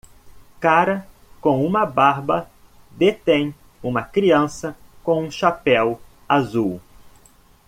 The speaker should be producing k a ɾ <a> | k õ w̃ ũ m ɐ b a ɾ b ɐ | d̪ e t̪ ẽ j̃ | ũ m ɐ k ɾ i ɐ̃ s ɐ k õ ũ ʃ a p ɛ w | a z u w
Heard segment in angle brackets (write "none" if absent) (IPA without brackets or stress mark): ɐ